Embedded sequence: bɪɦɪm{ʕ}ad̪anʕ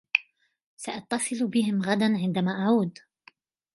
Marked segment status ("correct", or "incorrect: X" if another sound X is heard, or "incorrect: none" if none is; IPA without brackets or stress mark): incorrect: ɣ